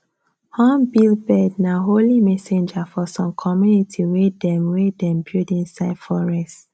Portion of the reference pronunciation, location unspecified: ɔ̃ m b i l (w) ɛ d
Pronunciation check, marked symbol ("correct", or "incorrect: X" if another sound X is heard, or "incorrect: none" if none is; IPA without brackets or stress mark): incorrect: b